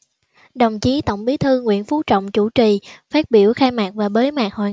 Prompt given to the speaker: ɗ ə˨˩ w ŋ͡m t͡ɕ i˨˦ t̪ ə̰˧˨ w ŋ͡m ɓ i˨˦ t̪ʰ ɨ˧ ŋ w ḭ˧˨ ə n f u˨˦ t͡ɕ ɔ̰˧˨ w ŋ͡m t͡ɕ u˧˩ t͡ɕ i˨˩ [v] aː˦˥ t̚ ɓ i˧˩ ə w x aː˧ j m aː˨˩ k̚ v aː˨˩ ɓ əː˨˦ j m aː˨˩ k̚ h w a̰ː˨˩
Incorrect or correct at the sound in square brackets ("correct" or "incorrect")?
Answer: incorrect